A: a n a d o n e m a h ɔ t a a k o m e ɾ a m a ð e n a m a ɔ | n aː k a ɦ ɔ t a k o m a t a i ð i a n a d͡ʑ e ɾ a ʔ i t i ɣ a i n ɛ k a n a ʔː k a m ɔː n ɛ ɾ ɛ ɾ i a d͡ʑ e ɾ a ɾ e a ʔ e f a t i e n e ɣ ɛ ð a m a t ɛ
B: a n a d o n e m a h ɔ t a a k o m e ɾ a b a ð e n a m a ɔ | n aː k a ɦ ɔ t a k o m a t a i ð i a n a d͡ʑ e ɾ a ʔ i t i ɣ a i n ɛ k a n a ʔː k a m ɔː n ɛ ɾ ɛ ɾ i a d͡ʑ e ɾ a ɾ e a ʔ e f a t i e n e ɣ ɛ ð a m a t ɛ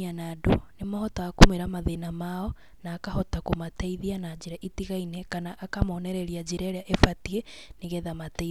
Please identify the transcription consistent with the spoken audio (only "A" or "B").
A